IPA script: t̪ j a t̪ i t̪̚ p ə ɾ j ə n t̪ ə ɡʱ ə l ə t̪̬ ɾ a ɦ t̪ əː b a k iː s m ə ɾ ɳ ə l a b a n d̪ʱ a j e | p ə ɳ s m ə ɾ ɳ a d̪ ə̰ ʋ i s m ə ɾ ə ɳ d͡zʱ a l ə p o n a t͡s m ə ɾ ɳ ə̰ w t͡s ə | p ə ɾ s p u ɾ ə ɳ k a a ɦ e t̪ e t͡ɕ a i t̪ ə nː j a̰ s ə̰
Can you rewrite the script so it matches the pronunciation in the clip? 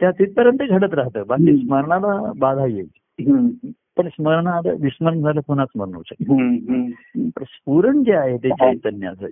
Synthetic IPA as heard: t̪ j a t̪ i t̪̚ p ə ɾ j ə n t̪ ə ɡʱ ə ɽ ə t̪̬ ɾ a ɦ t̪ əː b a k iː s m ə ɾ ɳ a l a b a d̪ʱ a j e | p ə ɳ s m ə ɾ ɳ a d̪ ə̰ ʋ i s m ə ɾ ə ɳ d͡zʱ a l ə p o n a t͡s m ə ɾ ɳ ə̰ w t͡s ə | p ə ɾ s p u ɾ ə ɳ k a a ɦ e t̪ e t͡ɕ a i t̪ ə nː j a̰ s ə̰